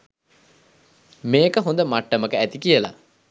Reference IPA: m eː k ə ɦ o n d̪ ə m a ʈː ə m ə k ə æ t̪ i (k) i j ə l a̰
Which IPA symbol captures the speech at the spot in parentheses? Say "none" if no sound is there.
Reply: k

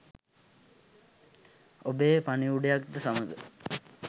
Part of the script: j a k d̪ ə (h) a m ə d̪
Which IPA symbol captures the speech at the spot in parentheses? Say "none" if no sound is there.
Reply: s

